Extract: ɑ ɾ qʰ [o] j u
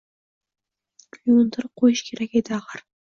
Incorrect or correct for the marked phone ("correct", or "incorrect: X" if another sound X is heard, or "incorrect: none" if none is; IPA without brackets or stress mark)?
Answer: correct